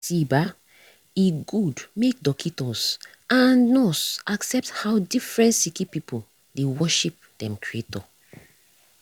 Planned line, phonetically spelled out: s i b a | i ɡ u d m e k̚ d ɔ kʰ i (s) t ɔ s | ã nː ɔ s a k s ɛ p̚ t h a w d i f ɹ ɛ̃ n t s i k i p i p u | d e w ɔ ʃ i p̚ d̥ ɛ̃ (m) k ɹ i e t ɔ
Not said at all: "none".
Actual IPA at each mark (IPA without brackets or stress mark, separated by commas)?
none, m